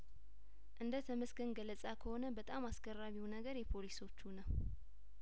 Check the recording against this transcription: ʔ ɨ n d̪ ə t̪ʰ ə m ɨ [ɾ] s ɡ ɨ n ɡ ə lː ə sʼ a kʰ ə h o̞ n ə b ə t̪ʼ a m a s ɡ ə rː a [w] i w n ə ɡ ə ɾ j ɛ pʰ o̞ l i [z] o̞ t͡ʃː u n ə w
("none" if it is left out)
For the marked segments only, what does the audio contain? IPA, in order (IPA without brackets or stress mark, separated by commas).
none, β, s